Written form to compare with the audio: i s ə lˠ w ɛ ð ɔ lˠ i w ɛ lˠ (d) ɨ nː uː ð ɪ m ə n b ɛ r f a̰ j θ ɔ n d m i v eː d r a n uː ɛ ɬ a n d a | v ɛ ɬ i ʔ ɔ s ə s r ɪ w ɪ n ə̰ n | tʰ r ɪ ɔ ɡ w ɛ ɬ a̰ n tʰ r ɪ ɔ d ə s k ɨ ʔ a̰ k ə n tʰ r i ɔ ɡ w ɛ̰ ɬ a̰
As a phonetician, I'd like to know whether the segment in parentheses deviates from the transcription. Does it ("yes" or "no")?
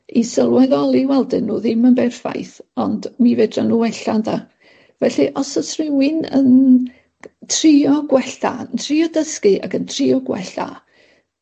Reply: no